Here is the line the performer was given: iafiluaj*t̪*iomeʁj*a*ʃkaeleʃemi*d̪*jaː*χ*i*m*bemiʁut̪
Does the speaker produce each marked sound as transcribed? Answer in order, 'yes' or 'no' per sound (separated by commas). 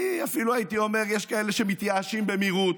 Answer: yes, no, no, no, yes